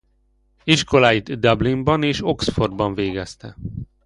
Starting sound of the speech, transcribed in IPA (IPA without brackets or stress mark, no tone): i